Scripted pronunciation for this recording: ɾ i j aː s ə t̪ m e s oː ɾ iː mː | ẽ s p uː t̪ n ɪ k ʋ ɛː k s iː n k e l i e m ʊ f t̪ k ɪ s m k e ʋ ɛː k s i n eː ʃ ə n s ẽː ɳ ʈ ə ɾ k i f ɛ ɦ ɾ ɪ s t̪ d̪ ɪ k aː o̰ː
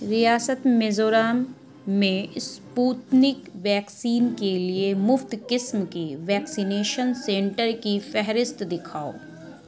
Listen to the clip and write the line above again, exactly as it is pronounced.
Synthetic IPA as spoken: ɾ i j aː s ə t̪ m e z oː ɾ aː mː | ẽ s p uː t̪ n ɪ k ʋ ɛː k s iː n k e l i e m ʊ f t̪ k ɪ s m k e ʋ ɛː k s i n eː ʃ ə n s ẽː ɳ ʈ ə ɾ k i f ɛ ɦ ɾ ɪ s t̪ d̪ ɪ kʰ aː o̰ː